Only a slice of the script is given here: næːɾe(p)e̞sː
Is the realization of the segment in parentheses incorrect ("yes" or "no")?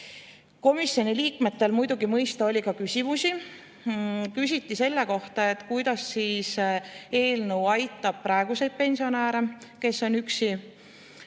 yes